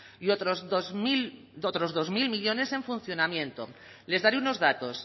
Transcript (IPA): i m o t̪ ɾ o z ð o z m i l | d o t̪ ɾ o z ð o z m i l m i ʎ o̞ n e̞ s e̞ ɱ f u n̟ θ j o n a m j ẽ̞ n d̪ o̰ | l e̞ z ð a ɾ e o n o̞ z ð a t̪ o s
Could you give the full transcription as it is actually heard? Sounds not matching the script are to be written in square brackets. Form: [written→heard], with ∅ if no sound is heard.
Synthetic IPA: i [m→∅] o t̪ ɾ o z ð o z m i l | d o t̪ ɾ o z ð o z m i l m i ʎ o̞ n e̞ s e̞ ɱ f u n̟ θ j o n a m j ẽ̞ n [d̪→t̪] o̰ | l e̞ z ð a ɾ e [o→u] n o̞ z ð a t̪ o s